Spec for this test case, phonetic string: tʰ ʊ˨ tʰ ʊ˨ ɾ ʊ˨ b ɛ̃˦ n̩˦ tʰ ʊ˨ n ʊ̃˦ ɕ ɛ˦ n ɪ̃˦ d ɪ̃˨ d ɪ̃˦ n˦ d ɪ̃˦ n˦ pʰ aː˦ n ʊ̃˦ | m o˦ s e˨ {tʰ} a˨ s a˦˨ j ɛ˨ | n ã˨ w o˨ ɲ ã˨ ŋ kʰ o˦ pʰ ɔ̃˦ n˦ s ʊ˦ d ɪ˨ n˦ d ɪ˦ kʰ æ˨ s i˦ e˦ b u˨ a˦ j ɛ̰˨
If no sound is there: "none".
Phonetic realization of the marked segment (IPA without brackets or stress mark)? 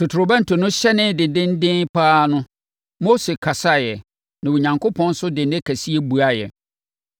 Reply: kʰ